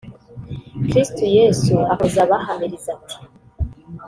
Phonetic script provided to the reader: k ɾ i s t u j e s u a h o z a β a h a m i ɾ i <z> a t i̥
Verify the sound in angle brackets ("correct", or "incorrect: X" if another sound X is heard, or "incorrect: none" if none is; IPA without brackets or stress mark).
correct